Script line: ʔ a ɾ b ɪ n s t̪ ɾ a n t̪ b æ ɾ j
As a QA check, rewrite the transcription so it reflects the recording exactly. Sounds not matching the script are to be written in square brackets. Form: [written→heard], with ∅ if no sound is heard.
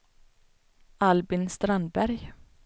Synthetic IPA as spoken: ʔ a [ɾ→l] b ɪ n s t̪ ɾ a n [t̪→d̪] b æ ɾ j